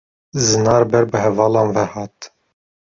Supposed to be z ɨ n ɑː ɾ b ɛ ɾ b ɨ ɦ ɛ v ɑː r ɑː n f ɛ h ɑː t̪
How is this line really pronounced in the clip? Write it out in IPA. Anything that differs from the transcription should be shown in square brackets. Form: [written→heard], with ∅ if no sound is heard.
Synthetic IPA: z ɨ n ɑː ɾ b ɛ ɾ b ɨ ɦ ɛ v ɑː [r→l] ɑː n [f→v] ɛ h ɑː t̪

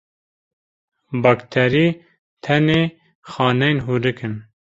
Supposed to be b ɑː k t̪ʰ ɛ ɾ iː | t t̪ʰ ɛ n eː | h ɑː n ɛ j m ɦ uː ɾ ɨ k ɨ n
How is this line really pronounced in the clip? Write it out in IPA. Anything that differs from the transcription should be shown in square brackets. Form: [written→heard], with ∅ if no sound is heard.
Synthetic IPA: b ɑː k t̪ʰ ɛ ɾ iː | t t̪ʰ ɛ n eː | [h→x] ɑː n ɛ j [m→n] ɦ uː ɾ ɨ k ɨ n

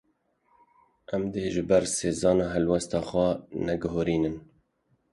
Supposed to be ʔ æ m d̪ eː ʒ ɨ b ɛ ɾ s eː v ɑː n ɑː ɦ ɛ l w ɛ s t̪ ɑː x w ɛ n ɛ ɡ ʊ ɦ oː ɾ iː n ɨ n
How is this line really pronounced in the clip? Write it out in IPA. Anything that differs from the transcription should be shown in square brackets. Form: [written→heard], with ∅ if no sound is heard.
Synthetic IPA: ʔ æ m d̪ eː ʒ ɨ b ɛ ɾ s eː [v→z] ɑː n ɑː ɦ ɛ l w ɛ s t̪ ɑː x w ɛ n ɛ ɡ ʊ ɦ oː ɾ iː n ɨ n

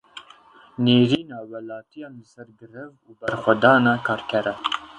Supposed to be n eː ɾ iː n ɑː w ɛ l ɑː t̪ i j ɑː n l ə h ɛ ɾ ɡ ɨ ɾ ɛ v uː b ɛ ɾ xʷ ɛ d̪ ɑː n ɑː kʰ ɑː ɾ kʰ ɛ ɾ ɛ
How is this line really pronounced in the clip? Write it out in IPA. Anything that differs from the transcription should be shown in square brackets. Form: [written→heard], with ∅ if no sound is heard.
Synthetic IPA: n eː ɾ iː n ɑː w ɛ l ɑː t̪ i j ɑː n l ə [h→s] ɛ ɾ ɡ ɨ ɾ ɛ v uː b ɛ ɾ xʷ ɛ d̪ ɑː n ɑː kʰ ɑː ɾ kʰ ɛ ɾ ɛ

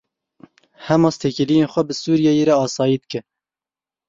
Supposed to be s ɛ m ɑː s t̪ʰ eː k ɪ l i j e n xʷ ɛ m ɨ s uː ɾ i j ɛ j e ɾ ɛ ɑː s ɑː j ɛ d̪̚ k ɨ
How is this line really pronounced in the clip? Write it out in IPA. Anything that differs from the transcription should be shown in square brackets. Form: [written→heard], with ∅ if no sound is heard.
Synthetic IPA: [s→h] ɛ m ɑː s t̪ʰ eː k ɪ l i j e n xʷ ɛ [m→b] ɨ s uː ɾ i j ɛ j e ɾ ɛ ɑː s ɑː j [ɛ→i] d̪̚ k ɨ

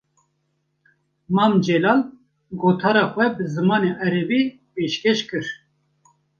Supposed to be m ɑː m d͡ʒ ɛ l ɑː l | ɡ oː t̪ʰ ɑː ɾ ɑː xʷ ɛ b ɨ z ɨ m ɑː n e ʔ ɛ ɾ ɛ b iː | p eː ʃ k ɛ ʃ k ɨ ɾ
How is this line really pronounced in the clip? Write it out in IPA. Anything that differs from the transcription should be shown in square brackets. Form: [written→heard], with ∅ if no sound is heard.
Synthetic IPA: m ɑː m d͡ʒ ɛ l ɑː l | ɡ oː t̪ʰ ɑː ɾ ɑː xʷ ɛ b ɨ z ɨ m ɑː n e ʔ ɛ ɾ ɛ b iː | p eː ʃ k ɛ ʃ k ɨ ɾ

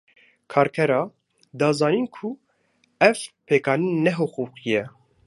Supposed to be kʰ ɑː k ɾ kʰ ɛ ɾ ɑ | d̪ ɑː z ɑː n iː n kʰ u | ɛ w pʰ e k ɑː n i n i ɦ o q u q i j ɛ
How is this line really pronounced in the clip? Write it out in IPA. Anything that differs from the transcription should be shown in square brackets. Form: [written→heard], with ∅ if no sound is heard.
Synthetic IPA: kʰ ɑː [k→∅] ɾ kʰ ɛ ɾ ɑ | d̪ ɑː z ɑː n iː n kʰ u | ɛ [w→v] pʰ e k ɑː n i n [i→ɛ] ɦ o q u q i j ɛ

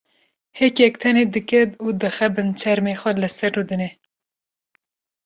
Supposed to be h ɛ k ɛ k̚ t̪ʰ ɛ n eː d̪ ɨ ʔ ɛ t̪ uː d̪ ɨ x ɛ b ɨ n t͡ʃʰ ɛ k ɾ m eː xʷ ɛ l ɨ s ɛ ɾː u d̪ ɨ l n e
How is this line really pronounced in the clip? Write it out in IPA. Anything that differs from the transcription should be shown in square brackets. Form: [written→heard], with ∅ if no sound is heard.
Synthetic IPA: h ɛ k ɛ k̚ t̪ʰ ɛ n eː d̪ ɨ [ʔ→k] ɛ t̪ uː d̪ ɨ x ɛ b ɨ n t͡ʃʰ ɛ [k→∅] ɾ m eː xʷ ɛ l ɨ s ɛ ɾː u d̪ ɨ [l→∅] n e

